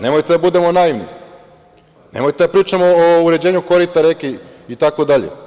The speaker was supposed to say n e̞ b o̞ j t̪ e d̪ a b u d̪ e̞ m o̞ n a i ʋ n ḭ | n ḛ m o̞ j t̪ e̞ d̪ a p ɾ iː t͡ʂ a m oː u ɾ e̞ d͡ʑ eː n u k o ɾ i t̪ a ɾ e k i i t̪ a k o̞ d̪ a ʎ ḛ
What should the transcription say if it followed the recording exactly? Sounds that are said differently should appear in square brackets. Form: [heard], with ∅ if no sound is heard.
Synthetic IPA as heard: n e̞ [m] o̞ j t̪ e d̪ a b u d̪ e̞ m o̞ n a i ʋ n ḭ | n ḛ m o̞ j t̪ e̞ d̪ a p ɾ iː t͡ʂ a m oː u ɾ e̞ d͡ʑ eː [ɲ] u k o ɾ i t̪ a ɾ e k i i t̪ a k o̞ d̪ a ʎ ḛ